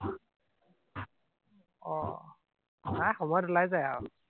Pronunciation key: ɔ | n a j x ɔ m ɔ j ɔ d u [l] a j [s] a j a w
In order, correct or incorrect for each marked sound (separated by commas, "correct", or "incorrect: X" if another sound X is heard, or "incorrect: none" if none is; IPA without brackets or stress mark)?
correct, incorrect: z